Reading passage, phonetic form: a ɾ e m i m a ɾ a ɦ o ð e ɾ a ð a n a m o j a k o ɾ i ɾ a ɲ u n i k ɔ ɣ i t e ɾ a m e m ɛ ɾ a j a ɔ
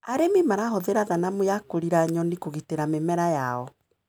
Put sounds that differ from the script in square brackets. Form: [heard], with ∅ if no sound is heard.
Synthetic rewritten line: a ɾ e m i m a ɾ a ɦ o ð e ɾ a ð a n a m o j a k o ɾ i ɾ a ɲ [ɔ] n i k [o] ɣ i t e ɾ a m e m ɛ ɾ a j a ɔ

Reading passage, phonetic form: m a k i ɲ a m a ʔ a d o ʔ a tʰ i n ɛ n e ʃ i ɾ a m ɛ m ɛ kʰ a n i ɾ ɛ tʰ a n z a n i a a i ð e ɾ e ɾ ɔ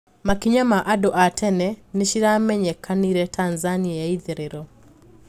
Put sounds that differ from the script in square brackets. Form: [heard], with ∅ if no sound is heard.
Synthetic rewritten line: m a k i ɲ a m a ʔ a d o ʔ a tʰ [ɛ] n ɛ n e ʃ i ɾ a m ɛ [ɲ] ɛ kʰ a n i ɾ ɛ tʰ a n z a n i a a i ð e ɾ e ɾ ɔ

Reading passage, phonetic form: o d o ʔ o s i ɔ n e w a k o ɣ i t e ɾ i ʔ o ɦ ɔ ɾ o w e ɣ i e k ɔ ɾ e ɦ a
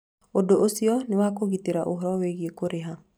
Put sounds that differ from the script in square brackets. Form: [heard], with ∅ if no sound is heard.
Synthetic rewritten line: o d o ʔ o s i ɔ n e w a k o ɣ i t e ɾ [a] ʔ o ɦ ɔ ɾ [ɔ] w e ɣ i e k [o] ɾ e ɦ a

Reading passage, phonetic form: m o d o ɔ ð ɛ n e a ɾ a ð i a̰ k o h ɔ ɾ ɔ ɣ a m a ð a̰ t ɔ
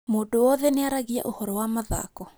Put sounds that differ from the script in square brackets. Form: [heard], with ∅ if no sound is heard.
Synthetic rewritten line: m o d o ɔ ð ɛ n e a ɾ a [ɣ] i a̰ [ʔ] o h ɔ ɾ ɔ [w] a m a ð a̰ [k] ɔ

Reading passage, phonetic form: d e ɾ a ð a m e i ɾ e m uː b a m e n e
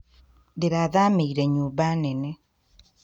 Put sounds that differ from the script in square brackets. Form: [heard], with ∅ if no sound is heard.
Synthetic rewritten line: d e ɾ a ð a m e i ɾ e [ɲ] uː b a [n] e n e

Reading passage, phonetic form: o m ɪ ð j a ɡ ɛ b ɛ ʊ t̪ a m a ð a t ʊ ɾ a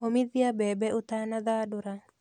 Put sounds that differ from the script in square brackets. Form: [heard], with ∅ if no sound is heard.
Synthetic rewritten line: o m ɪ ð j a [b] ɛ b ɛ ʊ t̪ a [n] a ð a [d] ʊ ɾ a

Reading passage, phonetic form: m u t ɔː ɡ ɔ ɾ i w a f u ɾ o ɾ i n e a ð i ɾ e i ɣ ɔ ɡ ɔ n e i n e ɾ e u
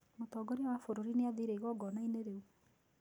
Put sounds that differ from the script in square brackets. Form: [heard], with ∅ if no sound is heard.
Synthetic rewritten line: m [o] t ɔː ɡ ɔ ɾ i w a f [o] ɾ o ɾ i n e a ð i ɾ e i ɣ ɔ ɡ ɔ n [a] i n e ɾ e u

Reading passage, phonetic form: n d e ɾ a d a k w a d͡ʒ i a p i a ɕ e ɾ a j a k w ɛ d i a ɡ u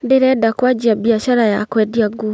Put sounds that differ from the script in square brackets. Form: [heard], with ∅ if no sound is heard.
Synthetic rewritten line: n d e ɾ [ɛ] d a k w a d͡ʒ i a [b] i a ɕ [a] ɾ a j a k w ɛ d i a ɡ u

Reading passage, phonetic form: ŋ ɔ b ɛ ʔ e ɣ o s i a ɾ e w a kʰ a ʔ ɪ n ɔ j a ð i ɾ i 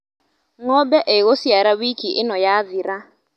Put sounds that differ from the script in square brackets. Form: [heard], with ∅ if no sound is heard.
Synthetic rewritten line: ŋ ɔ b ɛ ʔ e ɣ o s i a ɾ [a] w [i] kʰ [i] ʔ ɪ n ɔ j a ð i ɾ [a]

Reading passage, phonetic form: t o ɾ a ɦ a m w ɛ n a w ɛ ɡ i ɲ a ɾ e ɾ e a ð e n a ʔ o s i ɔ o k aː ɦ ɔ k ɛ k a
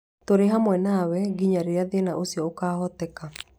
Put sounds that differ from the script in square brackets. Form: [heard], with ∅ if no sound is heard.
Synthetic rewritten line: t o ɾ [e] ɦ a m w ɛ n a w ɛ ɡ i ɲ a ɾ e ɾ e a ð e n a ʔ o s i ɔ o k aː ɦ ɔ [t] ɛ k a

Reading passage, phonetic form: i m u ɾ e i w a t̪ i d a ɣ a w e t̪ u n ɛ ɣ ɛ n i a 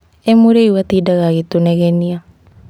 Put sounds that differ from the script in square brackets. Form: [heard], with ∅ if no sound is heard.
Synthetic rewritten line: [e] m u ɾ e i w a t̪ i d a ɣ a [ɣ] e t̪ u n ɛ ɣ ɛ n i a

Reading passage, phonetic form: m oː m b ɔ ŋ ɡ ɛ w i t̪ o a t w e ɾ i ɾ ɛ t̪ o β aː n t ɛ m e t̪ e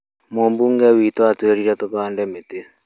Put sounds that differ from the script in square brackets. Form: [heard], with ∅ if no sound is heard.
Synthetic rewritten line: m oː m b [u] ŋ ɡ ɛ w i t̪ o a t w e ɾ i ɾ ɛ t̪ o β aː n [d] ɛ m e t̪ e

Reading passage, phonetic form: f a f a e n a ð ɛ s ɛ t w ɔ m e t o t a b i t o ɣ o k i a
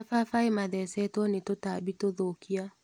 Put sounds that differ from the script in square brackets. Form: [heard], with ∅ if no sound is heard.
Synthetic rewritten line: f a f a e [m] a ð ɛ s ɛ t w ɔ [n] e t o t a b i t o [ð] o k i a

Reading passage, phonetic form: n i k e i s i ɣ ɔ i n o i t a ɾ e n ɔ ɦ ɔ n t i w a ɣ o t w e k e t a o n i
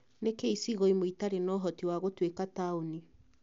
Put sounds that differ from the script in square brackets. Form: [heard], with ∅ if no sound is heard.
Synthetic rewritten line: n [e] k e i s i ɣ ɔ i [m] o i t a ɾ e n ɔ ɦ ɔ [∅] t i w a ɣ o t w e k [a] t a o n i

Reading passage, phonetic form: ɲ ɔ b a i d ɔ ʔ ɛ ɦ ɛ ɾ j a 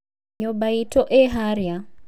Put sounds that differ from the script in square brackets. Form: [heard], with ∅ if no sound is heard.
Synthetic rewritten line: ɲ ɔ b a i [t] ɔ ʔ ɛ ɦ [a] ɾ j a

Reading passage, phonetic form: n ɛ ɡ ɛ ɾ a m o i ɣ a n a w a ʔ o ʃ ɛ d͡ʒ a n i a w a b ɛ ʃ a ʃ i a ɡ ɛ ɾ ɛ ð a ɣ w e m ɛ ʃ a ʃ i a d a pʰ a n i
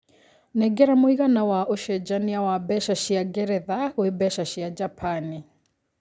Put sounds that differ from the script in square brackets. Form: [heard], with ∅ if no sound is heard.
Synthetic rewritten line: n ɛ ɡ ɛ ɾ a m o i ɣ a n a w a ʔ o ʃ ɛ d͡ʒ a n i a w a b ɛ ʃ a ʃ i a ɡ ɛ ɾ ɛ ð a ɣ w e [b] ɛ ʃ a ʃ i a [d͡ʒ] a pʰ a n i

